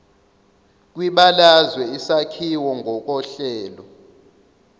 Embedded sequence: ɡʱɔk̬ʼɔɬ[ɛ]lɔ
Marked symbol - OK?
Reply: no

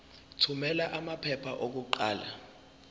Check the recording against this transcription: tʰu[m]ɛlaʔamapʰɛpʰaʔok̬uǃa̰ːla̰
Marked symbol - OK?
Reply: yes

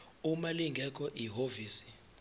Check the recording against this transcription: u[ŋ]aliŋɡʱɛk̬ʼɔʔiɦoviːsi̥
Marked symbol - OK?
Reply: no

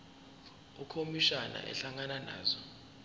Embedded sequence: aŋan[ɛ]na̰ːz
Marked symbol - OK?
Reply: no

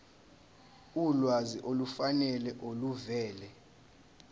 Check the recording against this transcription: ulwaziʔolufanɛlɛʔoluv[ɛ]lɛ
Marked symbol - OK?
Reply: no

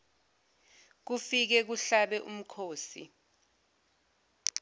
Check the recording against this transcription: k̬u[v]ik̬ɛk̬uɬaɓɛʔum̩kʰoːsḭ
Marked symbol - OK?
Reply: no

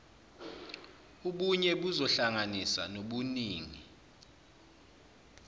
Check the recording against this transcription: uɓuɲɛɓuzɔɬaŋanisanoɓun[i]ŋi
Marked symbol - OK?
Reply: no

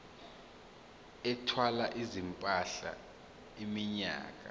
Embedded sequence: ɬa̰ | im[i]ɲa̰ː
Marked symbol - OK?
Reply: yes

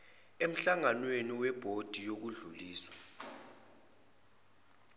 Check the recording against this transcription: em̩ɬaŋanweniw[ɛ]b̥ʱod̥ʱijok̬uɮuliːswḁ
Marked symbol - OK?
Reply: yes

